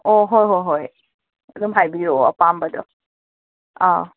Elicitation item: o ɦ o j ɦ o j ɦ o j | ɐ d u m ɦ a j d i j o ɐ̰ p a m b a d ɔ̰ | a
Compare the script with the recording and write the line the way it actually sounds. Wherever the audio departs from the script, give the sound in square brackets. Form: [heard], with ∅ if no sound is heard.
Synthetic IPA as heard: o ɦ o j ɦ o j ɦ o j | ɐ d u m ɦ a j [b] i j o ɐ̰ p a m b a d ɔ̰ | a

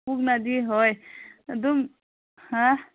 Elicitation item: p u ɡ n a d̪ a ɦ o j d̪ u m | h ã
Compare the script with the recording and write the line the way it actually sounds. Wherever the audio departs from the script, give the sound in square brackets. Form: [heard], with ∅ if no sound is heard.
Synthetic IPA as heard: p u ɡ n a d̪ [i] ɦ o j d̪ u m | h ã

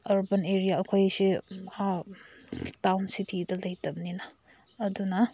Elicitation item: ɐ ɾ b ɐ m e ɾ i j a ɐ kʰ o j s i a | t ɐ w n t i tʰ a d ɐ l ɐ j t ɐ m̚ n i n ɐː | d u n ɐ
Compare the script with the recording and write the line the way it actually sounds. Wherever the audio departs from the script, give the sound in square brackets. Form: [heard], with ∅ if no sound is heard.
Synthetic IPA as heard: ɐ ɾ b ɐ [n] e ɾ i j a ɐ kʰ o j s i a | t [a] w n [s] i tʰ [i] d ɐ l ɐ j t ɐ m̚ n i n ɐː | d u n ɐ

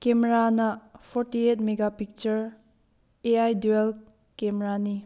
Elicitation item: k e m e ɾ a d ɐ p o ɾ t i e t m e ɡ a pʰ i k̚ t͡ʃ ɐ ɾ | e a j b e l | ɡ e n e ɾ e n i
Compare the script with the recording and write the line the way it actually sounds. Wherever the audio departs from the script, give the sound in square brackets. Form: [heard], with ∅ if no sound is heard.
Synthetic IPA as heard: k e m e ɾ a [n] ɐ [pʰ] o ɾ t i e t m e ɡ a [p] i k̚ t͡ʃ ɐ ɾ | e a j [d] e l | [k] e [m] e ɾ [a] n i

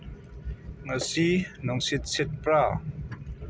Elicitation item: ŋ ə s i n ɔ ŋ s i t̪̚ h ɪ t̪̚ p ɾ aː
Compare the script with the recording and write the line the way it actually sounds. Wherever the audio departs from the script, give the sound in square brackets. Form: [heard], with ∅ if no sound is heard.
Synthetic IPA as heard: ŋ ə s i n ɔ ŋ s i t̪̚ [s] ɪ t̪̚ p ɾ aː

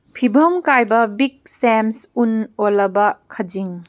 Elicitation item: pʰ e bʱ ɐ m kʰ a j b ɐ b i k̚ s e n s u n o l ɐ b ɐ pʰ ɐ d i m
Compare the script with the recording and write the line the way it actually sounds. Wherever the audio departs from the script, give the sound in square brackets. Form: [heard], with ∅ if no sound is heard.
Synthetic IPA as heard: pʰ [i] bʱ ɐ m [k] a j b ɐ b i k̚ s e [m] s u n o l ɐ b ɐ [kʰ] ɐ [d͡ʒ] i [ŋ]

